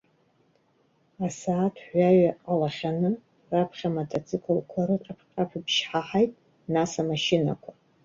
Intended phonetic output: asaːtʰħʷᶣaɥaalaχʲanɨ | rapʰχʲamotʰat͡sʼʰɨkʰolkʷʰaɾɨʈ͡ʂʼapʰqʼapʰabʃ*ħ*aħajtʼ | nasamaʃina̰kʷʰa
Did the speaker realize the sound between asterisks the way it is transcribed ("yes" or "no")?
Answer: yes